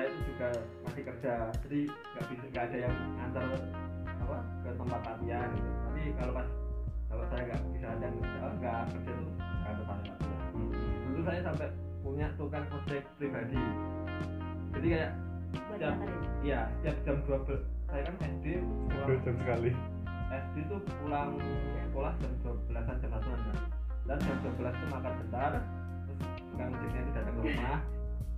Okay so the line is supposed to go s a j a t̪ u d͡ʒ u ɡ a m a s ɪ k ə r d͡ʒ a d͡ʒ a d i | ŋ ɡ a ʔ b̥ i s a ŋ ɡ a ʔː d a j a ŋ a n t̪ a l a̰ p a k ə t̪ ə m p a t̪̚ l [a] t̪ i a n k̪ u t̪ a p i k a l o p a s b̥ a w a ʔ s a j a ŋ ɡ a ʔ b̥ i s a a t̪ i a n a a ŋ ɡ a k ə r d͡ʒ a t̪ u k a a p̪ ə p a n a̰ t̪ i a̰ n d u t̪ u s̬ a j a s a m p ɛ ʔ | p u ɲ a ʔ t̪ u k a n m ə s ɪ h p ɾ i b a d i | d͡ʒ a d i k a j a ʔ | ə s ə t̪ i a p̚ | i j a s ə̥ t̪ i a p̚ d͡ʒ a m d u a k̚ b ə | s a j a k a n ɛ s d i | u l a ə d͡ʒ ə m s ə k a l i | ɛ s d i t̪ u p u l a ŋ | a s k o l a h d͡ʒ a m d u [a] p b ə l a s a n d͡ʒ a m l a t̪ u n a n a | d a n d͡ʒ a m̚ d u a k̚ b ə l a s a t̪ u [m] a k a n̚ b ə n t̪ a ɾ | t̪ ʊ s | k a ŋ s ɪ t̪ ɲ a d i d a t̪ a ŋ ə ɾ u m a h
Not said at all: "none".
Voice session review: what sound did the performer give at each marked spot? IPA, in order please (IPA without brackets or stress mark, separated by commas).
a, a, m